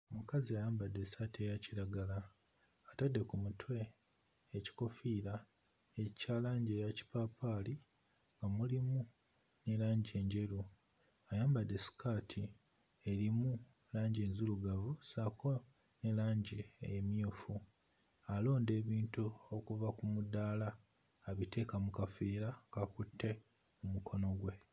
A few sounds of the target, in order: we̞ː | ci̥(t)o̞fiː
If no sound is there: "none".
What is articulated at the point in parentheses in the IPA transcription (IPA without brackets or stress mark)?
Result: k